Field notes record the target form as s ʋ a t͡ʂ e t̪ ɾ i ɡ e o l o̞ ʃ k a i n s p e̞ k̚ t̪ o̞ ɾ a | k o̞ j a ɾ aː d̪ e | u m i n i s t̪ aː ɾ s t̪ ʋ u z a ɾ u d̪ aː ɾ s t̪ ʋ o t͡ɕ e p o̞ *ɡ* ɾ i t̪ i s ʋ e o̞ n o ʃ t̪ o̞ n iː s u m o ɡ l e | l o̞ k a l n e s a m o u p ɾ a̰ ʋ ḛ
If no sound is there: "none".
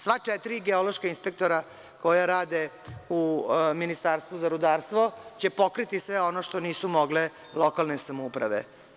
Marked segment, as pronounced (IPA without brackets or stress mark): k